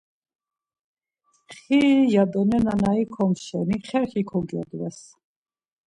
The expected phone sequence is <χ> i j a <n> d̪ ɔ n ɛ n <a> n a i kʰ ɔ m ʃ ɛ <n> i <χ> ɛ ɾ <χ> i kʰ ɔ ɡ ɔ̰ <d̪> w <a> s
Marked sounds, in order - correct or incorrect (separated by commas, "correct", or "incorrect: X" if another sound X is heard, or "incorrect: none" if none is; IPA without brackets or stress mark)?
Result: correct, incorrect: none, correct, correct, correct, correct, correct, incorrect: ɛ